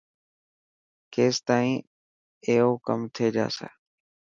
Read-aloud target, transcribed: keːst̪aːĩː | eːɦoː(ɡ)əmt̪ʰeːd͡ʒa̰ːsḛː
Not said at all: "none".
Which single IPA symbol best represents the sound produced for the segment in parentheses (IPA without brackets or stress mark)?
k